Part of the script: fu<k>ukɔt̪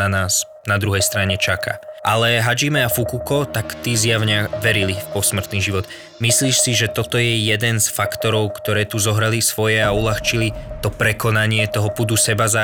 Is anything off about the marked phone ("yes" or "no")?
no